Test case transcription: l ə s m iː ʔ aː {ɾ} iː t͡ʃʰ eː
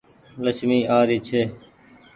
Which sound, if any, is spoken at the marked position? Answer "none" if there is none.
ɾ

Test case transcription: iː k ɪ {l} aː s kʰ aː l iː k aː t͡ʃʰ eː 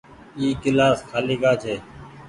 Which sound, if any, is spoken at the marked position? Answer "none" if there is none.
l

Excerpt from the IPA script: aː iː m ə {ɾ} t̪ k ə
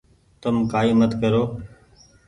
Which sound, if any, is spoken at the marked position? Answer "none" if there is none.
none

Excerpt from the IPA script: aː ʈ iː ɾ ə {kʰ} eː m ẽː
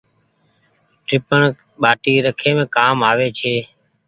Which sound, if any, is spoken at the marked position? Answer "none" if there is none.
kʰ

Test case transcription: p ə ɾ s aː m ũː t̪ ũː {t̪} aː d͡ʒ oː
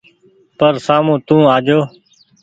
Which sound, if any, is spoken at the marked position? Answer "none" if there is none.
none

